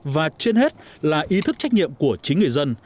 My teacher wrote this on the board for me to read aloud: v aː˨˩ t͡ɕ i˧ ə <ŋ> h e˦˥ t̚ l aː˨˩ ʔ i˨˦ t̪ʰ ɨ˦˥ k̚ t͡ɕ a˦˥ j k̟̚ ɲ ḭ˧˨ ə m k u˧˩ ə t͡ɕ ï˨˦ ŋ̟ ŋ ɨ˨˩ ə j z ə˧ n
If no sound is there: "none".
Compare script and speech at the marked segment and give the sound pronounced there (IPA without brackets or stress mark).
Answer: n